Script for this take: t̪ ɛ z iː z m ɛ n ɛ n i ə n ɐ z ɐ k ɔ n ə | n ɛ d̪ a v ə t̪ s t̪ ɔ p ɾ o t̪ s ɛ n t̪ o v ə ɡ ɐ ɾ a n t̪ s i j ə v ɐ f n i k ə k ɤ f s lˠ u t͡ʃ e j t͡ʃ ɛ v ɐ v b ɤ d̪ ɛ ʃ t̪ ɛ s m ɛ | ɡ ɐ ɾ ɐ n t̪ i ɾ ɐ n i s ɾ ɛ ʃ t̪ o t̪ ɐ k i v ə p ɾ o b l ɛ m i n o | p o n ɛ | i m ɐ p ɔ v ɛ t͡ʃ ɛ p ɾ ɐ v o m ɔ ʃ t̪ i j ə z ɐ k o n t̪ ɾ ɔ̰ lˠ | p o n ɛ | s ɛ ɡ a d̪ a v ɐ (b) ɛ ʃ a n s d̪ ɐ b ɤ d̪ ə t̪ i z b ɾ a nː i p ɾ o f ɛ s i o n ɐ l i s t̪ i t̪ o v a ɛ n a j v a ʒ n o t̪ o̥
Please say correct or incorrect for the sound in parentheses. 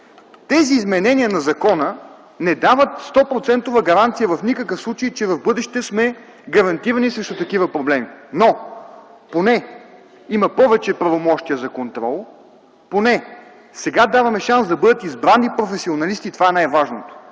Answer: incorrect: m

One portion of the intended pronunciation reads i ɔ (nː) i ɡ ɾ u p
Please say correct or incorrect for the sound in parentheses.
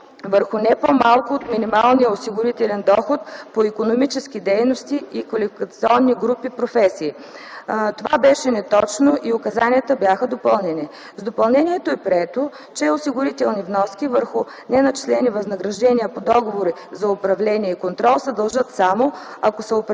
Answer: correct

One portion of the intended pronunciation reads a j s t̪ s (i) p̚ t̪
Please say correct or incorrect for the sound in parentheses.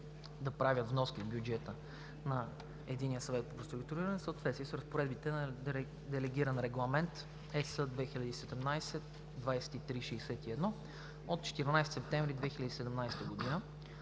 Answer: incorrect: ɛ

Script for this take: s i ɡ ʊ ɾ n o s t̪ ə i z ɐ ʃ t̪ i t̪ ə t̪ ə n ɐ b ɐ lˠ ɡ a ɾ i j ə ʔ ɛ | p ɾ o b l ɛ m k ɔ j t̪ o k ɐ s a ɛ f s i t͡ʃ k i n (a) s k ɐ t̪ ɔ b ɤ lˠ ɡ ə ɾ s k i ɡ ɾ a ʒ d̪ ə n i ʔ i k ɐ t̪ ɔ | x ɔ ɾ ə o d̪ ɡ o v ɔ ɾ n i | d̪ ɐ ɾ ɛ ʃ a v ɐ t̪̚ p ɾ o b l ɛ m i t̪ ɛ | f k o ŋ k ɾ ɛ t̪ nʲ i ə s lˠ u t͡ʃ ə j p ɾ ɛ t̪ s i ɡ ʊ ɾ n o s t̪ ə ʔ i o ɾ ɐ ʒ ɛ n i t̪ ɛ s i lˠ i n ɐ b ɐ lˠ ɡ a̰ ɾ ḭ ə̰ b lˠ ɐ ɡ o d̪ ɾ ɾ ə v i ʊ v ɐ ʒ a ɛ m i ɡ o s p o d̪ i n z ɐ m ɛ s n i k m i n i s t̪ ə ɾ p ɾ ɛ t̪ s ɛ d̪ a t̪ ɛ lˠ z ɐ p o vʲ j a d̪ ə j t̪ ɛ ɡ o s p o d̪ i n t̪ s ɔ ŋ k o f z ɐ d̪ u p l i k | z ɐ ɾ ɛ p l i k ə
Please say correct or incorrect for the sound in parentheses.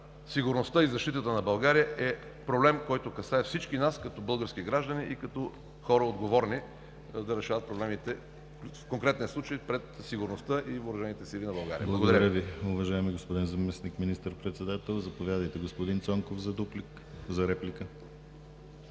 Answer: correct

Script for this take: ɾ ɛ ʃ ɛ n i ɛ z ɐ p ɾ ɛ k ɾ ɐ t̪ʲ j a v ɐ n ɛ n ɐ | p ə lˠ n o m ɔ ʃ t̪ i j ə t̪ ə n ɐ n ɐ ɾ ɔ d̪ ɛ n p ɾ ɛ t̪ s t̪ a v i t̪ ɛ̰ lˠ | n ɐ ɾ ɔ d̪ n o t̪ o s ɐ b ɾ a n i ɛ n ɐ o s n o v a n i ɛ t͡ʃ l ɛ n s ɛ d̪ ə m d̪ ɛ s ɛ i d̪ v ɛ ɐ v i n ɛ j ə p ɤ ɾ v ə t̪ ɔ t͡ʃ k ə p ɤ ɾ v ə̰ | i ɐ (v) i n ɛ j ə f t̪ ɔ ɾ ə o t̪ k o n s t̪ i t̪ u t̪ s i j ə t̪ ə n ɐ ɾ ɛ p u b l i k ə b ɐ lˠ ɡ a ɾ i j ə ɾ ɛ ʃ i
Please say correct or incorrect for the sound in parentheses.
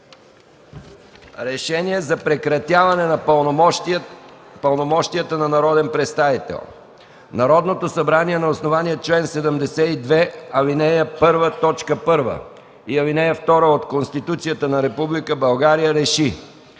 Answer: correct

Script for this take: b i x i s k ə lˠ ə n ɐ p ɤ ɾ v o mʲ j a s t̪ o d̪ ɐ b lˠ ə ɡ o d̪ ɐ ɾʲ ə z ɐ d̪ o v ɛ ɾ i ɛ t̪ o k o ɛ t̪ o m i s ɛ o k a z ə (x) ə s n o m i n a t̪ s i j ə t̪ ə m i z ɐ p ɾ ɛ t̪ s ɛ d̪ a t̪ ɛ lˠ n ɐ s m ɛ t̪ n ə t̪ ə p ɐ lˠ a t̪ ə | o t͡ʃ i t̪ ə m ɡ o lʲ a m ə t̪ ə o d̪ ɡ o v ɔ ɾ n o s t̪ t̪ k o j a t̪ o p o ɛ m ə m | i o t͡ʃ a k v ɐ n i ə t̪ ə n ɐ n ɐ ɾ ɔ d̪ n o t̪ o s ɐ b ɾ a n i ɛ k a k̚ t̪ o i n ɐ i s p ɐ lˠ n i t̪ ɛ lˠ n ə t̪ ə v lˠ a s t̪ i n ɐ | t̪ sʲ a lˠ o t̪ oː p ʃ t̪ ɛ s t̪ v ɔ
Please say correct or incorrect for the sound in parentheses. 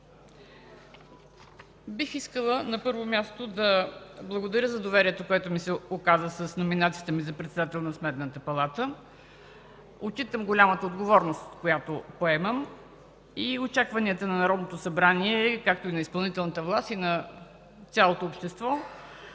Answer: incorrect: s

